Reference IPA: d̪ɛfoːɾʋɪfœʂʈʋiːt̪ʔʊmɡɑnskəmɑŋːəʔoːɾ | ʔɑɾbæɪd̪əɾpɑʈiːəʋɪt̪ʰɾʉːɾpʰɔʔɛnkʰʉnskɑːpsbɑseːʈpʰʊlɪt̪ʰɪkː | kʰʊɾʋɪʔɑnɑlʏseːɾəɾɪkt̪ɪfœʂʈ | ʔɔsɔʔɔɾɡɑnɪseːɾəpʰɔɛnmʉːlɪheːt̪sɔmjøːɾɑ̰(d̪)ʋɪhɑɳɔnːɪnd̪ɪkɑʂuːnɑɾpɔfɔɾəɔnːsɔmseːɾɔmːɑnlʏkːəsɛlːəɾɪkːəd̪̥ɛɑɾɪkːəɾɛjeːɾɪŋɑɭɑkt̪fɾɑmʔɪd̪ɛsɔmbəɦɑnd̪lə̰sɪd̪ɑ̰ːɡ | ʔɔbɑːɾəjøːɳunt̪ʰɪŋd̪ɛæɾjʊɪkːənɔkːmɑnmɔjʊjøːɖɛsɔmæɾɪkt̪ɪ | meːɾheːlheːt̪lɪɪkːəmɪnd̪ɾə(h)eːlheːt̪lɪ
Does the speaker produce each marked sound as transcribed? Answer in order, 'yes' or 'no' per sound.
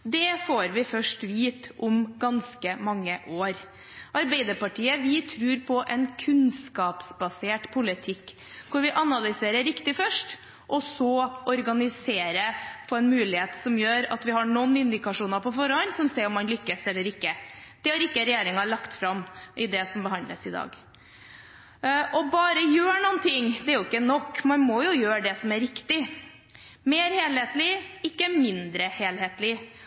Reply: no, yes

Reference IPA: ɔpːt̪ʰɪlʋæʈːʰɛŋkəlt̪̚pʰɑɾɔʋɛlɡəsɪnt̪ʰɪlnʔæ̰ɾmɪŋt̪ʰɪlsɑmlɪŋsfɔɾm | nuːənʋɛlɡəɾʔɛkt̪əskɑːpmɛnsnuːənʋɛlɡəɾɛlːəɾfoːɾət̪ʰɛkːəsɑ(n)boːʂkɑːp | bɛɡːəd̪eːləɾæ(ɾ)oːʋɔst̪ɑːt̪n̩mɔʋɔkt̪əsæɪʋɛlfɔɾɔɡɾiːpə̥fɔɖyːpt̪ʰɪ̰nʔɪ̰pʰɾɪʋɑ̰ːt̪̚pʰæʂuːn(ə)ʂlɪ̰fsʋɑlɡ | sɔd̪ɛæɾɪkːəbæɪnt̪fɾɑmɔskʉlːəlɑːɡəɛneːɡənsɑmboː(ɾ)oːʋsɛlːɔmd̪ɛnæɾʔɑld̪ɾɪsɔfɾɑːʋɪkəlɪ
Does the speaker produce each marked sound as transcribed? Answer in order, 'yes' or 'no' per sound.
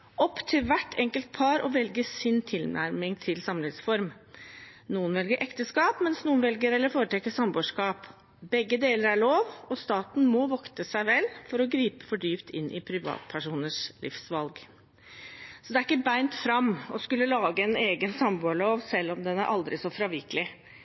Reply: no, no, yes, no

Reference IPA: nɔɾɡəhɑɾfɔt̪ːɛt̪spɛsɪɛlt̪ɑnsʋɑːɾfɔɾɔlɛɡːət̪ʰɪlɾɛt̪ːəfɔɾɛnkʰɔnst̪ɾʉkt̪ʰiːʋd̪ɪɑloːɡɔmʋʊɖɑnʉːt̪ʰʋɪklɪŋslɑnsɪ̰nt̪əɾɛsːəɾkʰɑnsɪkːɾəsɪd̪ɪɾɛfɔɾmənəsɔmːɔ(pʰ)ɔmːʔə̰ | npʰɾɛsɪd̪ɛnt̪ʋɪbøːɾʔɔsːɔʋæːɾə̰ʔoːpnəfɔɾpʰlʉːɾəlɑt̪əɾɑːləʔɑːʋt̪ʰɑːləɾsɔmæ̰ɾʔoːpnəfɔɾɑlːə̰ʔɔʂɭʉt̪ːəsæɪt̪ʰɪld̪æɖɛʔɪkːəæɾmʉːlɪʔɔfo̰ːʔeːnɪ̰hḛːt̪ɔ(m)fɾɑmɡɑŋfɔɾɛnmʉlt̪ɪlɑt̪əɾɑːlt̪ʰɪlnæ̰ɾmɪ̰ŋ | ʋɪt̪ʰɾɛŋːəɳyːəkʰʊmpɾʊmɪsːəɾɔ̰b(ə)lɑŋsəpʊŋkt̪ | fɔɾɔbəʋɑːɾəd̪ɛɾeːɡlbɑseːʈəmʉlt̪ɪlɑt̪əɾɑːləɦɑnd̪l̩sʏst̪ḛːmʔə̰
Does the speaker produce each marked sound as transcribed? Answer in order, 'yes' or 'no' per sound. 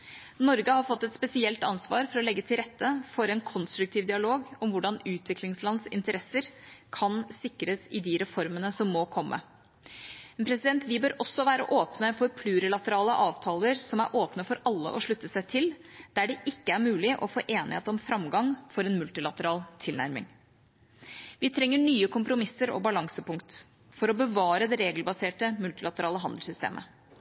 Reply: no, yes, no

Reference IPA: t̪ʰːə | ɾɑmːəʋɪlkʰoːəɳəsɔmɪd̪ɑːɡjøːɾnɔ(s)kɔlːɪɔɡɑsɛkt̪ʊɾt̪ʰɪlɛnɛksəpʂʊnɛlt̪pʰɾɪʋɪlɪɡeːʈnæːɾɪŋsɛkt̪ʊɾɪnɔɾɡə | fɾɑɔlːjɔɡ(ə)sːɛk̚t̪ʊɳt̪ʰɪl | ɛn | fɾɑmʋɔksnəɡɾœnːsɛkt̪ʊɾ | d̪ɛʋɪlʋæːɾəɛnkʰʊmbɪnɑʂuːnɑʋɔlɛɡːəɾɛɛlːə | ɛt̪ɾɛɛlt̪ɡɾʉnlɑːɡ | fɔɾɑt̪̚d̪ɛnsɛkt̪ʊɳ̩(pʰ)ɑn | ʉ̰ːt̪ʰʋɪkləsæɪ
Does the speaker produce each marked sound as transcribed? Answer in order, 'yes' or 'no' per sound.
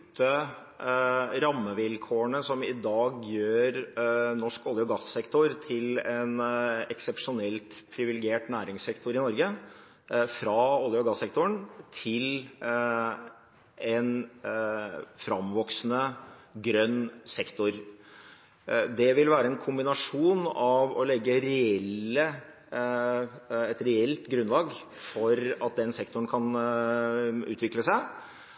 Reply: no, no, no

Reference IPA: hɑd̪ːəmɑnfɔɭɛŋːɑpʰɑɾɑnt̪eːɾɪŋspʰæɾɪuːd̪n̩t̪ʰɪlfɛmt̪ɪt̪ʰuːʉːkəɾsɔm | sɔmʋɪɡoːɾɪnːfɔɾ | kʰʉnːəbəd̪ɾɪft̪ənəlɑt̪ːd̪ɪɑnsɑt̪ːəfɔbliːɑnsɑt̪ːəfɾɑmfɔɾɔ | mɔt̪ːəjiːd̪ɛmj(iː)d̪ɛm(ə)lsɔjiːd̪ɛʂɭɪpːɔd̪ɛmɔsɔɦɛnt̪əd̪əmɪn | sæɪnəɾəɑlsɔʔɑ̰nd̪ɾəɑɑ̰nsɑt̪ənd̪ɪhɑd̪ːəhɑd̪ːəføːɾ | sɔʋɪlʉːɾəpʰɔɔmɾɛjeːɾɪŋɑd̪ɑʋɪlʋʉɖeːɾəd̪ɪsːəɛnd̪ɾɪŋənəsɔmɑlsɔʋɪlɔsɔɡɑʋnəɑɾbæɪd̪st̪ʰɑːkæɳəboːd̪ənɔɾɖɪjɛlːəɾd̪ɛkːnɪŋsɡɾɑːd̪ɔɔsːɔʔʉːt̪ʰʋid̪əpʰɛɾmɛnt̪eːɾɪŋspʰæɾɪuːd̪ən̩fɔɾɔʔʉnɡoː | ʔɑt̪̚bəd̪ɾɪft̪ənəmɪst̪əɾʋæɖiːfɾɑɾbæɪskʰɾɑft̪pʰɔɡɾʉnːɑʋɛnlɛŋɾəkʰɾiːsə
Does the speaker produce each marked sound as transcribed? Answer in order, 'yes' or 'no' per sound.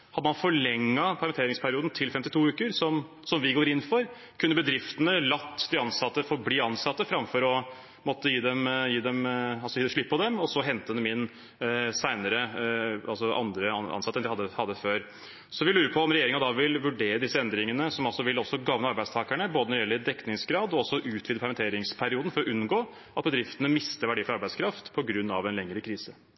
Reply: yes, no

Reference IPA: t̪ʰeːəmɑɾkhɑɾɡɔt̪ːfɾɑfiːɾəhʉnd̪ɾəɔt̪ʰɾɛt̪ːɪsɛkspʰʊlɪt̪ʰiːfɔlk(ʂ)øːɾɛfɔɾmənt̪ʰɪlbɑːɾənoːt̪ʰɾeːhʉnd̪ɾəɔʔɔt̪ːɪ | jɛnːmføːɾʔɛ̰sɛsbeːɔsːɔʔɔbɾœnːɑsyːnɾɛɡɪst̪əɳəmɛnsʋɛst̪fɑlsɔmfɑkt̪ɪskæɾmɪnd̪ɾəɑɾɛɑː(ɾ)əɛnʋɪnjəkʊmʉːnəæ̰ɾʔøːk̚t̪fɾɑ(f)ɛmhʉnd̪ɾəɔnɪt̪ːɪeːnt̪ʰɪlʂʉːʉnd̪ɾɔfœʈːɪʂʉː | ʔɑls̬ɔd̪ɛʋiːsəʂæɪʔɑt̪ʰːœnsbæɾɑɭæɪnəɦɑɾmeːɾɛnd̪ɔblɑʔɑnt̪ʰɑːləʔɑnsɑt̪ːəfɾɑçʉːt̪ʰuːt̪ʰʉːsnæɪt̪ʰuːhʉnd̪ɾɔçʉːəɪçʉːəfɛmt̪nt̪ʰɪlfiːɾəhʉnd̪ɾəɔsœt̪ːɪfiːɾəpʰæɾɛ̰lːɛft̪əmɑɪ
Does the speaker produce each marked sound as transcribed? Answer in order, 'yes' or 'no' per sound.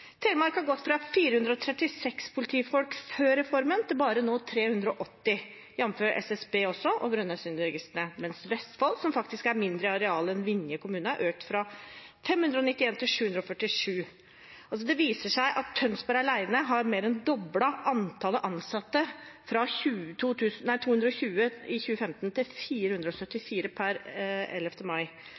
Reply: no, no, yes

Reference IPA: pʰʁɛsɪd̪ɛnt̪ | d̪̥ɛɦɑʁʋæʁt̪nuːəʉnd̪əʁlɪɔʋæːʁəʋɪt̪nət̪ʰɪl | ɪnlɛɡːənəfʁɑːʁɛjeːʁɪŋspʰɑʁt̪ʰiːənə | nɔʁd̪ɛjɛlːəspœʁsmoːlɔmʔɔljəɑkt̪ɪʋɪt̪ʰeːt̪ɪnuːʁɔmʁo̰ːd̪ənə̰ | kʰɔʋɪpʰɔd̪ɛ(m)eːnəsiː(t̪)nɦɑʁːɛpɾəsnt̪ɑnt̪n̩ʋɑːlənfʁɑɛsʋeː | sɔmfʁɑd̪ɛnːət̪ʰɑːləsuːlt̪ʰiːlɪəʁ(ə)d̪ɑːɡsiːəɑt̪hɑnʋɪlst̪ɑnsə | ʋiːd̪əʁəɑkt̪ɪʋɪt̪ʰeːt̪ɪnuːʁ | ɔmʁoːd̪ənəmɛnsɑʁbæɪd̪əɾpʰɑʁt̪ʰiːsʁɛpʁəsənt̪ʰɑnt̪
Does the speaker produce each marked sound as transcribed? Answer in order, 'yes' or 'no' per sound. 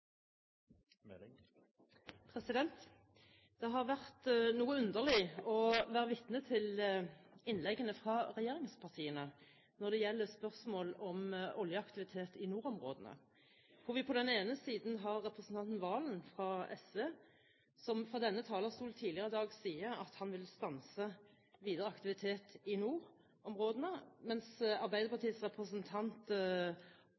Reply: no, no, yes

